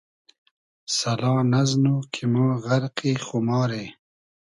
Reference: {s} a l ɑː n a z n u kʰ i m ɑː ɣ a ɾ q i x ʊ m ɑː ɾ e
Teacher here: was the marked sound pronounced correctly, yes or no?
yes